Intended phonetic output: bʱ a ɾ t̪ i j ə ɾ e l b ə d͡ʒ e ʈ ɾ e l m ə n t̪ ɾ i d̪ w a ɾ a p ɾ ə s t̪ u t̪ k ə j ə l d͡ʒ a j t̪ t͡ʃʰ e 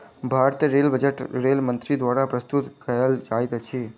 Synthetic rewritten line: bʱ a ɾ t̪ i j ə ɾ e l b ə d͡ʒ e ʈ ɾ e l m ə n t̪ ɾ i d̪ ʋ a ɾ a p ɾ ə s t̪ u t̪ k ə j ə l d͡ʒ a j t̪ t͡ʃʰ e

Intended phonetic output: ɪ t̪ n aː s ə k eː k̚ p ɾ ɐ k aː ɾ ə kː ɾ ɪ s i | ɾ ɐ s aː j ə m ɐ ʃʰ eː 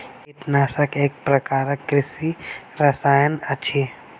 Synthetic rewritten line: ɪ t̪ n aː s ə k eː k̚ p ɾ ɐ k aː ɾ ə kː ɾ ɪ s i | ɾ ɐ s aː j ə n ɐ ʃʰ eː

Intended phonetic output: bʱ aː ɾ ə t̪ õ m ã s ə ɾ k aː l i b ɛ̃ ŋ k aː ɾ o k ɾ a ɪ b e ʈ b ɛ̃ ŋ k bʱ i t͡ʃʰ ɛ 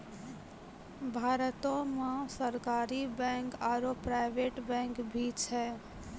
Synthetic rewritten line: bʱ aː ɾ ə t̪ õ m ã s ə ɾ k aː ɾ i b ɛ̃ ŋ k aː ɾ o p ɾ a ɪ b e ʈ b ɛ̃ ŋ k bʱ i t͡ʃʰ ɛ

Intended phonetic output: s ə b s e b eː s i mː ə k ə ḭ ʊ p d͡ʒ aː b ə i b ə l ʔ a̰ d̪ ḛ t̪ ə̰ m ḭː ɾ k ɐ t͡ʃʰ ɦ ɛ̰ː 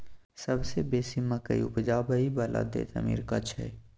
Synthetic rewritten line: s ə b s e b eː s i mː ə k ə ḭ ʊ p d͡ʒ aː b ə i b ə l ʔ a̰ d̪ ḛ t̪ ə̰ m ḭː ɾ k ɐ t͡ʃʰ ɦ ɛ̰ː

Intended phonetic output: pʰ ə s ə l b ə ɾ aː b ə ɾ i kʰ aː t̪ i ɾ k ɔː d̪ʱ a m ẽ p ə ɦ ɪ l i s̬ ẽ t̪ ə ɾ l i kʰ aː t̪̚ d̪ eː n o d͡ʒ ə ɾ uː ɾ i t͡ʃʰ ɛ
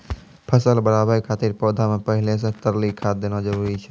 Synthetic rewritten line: pʰ ə s ə l b ə ɾ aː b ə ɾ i kʰ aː t̪ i ɾ p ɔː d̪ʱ a m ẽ p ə ɦ ɪ l e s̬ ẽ t̪ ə ɾ l i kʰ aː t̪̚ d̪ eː n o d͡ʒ ə ɾ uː ɾ i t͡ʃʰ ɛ

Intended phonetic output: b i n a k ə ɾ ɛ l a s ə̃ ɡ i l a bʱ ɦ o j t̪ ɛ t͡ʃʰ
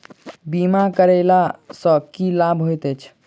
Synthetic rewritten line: b i m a k ə ɾ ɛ l a s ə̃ k i l a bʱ ɦ o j t̪ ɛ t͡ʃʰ

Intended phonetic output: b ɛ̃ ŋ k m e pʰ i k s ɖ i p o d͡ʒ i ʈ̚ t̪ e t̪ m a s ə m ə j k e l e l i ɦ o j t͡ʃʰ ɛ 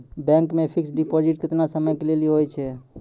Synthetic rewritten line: b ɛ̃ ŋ k m e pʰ i k s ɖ i p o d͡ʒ i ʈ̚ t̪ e t̪ n a s ə m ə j k e l e l i ɦ o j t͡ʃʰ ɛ

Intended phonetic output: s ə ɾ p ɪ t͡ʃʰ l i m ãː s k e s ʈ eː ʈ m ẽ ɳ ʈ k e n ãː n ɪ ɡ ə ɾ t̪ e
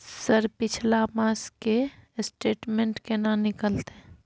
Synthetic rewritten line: s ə ɾ p ɪ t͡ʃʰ l a m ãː s k e s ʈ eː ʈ m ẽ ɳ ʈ k e n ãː n ɪ k ə l t̪ e

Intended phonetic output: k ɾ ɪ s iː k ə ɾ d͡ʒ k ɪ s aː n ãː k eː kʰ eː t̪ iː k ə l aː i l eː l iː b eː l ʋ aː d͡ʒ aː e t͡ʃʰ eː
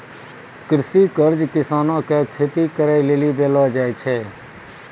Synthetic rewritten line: k ɾ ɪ s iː k ə ɾ d͡ʒ k ɪ s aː n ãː k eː kʰ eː t̪ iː k ə ɾ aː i l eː l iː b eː l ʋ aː d͡ʒ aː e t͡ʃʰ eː

